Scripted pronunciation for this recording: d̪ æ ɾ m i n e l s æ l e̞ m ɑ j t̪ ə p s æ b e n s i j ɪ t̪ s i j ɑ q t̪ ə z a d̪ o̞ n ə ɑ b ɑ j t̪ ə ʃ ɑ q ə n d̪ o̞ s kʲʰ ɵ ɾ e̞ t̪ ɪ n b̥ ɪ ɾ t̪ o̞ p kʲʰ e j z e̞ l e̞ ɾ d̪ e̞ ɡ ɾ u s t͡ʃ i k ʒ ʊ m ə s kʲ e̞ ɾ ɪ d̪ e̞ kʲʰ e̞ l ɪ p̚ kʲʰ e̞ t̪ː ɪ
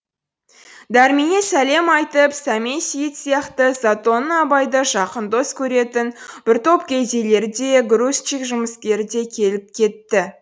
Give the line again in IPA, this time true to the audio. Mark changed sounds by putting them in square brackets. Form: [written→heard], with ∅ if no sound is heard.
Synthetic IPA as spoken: d̪ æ ɾ m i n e [l→∅] s æ l e̞ m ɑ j t̪ ə p s æ [b→m] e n s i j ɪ t̪ s i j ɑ q t̪ ə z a [d̪→t̪] o̞ n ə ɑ b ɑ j [t̪→d̪] ə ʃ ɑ q ə n d̪ o̞ s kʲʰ ɵ ɾ e̞ t̪ ɪ n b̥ ɪ ɾ t̪ o̞ p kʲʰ e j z e̞ l e̞ ɾ d̪ e̞ ɡ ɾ u s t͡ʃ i k ʒ ʊ m ə s kʲ e̞ ɾ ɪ d̪ e̞ kʲʰ e̞ l ɪ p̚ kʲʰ e̞ t̪ː ɪ